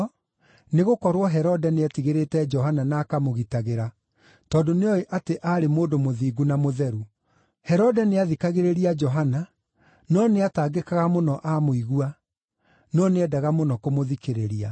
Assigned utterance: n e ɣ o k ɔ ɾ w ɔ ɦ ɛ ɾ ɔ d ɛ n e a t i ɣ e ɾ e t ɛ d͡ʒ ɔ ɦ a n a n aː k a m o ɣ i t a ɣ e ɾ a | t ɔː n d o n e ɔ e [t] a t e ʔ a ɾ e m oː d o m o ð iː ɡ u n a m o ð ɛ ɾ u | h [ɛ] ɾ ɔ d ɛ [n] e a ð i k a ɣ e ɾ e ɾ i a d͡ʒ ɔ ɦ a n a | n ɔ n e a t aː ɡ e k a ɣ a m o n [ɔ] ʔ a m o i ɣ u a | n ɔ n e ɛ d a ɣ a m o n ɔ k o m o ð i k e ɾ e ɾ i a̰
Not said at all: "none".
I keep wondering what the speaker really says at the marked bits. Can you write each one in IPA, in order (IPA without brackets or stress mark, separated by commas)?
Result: ʔ, ɛ, n, ɔ